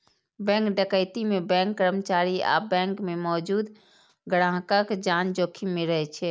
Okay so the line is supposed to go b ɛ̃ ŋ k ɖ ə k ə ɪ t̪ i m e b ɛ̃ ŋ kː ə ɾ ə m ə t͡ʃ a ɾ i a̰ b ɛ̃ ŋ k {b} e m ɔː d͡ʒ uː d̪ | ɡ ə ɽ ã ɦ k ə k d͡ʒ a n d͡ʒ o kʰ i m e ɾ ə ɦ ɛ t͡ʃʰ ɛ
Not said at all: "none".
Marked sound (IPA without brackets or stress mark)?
m